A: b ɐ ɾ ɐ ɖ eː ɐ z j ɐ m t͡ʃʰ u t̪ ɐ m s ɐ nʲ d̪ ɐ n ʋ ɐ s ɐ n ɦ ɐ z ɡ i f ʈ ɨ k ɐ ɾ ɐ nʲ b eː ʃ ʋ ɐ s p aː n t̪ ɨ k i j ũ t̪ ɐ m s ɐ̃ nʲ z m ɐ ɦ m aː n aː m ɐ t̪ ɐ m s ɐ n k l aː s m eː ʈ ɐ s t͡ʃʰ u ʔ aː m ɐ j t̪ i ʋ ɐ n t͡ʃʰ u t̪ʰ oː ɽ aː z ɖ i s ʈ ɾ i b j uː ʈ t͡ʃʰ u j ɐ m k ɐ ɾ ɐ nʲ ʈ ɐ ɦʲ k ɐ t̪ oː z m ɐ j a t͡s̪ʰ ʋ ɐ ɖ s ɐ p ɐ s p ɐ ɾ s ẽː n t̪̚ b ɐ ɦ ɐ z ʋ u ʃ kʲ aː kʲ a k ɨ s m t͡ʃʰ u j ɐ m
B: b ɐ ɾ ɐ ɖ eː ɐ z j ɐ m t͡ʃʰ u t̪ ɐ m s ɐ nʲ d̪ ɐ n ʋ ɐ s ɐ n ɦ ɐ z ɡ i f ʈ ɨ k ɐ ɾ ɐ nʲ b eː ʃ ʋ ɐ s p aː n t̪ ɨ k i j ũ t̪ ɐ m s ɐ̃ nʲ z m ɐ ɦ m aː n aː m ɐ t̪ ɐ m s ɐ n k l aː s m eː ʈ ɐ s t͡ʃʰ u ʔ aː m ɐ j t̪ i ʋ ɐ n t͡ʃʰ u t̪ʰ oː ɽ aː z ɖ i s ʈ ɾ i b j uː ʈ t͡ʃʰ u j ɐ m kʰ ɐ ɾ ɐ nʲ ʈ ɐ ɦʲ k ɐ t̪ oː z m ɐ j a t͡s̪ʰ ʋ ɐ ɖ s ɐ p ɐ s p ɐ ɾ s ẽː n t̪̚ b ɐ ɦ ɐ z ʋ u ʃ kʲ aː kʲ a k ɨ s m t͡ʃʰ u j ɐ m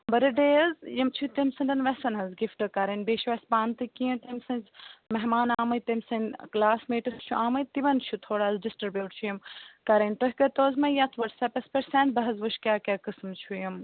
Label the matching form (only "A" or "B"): A